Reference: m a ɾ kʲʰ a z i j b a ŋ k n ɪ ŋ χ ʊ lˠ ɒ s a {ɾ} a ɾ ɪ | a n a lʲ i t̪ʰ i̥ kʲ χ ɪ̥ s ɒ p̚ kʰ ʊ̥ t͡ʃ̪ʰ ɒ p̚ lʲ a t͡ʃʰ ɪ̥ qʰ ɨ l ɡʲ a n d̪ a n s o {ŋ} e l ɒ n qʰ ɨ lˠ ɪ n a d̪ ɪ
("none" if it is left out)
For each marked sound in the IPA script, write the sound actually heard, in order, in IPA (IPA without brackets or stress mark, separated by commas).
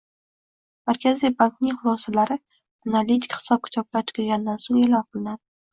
l, ŋ